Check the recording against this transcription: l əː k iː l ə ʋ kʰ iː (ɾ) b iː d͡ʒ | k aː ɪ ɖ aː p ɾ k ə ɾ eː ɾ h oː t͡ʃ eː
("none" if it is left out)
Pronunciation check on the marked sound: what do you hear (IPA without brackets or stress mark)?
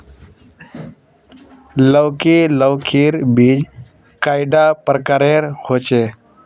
ɾ